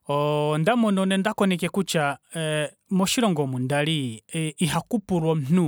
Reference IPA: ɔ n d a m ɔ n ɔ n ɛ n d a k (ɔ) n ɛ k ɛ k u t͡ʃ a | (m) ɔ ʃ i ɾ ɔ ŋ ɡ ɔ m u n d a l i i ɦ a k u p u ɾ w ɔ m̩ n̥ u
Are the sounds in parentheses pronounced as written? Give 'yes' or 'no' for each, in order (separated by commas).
yes, yes